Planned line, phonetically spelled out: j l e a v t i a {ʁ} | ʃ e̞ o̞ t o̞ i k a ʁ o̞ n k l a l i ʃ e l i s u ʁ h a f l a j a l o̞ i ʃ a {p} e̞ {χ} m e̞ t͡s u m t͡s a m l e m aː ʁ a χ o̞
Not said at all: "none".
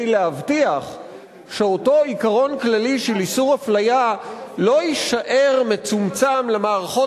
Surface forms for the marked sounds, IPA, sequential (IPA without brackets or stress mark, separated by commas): χ, ʔ, ʁ